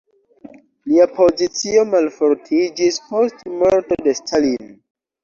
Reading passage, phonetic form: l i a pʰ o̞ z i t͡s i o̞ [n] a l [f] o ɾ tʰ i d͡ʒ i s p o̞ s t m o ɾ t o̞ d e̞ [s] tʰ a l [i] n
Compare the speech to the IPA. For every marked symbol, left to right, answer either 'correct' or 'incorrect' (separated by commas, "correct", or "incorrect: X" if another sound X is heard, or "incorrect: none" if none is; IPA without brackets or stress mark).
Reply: incorrect: m, correct, correct, correct